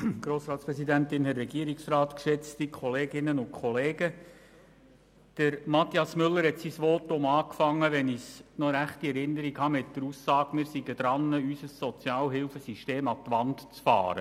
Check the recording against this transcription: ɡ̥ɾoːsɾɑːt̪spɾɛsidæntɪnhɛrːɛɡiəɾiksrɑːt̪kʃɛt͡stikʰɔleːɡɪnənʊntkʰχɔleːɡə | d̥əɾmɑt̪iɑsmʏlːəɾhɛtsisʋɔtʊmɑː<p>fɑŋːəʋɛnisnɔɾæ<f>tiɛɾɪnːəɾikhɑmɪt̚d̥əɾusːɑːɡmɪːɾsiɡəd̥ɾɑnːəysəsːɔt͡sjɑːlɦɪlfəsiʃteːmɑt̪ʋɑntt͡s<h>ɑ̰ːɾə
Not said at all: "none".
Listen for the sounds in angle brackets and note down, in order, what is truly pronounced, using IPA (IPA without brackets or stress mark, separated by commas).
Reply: k, χ, f